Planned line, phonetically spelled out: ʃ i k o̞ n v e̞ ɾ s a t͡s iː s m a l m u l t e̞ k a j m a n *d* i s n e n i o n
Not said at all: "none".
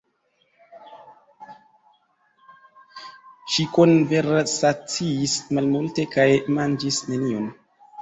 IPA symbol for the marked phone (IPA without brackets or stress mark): d͡ʒ